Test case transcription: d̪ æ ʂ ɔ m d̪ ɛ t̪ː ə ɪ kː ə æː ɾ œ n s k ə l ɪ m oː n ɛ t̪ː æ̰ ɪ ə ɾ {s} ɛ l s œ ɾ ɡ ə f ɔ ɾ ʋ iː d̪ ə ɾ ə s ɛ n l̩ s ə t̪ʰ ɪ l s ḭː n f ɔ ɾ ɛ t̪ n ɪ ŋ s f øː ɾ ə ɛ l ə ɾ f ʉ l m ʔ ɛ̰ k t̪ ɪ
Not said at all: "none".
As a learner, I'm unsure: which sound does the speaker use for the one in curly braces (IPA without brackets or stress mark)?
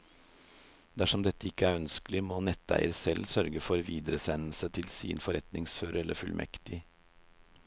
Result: s